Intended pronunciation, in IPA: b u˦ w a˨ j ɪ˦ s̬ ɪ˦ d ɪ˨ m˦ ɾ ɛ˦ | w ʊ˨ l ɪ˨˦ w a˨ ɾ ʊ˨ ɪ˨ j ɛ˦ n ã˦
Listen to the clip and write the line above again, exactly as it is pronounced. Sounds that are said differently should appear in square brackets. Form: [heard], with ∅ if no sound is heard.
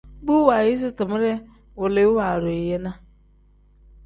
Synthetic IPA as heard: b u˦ w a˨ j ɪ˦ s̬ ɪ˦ [t] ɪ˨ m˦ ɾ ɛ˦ | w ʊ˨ l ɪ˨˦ w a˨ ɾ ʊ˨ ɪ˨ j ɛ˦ n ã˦